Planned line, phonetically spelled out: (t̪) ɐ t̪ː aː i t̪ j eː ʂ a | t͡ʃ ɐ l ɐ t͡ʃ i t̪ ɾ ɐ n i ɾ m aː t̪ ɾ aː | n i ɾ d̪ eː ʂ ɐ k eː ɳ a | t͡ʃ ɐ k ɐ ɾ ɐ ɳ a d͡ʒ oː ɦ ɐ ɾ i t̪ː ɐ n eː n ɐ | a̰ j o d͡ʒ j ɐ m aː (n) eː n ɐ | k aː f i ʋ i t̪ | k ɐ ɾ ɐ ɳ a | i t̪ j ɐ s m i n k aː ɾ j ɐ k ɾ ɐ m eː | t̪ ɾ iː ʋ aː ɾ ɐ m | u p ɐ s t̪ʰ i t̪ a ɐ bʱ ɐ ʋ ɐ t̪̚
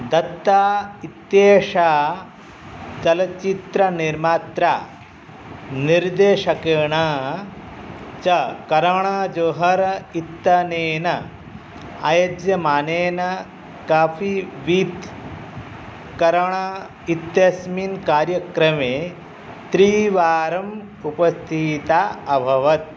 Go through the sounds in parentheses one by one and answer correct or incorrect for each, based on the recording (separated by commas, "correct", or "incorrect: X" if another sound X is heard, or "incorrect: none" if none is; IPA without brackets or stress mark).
incorrect: d̪, correct